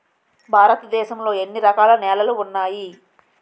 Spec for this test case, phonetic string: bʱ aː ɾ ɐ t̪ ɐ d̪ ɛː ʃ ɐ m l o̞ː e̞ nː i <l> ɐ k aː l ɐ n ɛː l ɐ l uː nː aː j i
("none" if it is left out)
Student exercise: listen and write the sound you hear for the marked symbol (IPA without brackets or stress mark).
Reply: ɾ